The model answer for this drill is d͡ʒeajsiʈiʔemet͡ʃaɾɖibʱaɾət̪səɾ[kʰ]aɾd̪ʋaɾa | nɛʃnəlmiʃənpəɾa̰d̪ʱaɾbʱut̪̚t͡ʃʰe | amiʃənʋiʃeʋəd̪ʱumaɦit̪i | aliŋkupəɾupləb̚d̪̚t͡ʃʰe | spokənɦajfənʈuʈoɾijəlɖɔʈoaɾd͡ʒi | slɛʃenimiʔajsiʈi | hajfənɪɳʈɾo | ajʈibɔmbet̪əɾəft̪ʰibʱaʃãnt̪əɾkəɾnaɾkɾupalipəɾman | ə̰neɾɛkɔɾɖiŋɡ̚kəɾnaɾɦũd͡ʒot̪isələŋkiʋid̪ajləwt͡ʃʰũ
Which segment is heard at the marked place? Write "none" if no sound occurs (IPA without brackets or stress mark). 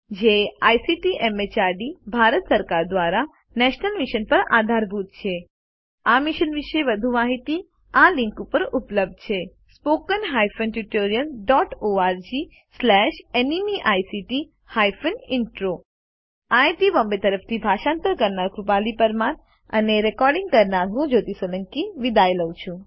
k